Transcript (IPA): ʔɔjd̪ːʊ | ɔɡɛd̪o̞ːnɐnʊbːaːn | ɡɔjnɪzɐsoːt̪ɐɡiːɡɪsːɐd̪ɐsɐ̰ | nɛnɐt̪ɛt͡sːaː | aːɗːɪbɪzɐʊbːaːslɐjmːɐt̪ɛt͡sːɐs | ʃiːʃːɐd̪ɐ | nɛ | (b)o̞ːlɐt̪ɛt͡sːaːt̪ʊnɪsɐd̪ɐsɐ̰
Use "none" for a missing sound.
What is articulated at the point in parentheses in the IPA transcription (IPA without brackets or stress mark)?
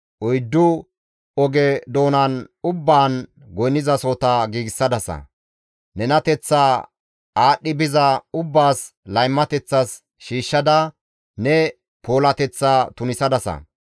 p